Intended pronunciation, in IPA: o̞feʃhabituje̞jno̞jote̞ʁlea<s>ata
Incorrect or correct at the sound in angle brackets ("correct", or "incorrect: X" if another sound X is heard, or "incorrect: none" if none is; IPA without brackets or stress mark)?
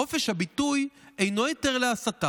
correct